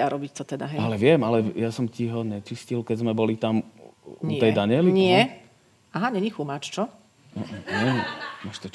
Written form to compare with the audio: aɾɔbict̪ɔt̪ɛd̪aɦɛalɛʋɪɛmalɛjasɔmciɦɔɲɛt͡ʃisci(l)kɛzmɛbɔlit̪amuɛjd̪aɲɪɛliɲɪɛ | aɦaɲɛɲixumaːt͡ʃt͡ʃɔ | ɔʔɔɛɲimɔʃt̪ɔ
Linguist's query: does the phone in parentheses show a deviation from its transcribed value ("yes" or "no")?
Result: no